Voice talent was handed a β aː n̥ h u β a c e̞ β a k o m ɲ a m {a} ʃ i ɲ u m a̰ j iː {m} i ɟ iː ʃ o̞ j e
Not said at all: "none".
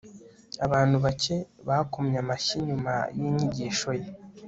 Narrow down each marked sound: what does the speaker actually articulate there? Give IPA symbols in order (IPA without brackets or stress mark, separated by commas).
a, ɲ